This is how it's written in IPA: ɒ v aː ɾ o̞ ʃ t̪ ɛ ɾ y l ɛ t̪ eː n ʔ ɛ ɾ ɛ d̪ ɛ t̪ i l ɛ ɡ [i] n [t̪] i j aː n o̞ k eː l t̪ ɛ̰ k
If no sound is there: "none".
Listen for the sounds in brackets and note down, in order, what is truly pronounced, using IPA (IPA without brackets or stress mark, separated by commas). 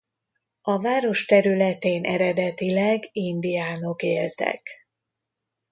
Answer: i, d̪